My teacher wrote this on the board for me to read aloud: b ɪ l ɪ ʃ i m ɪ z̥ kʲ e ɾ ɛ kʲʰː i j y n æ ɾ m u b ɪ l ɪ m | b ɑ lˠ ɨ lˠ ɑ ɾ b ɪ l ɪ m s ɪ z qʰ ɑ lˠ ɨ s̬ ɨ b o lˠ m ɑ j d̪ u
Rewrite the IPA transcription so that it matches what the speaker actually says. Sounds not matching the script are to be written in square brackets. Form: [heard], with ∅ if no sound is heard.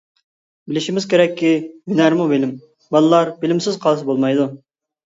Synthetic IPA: b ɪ l ɪ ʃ i m ɪ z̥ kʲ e ɾ ɛ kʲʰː i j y n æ ɾ m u b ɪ l ɪ m | b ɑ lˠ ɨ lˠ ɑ ɾ b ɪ l ɪ m s ɪ z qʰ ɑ lˠ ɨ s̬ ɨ b o lˠ m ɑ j d̪ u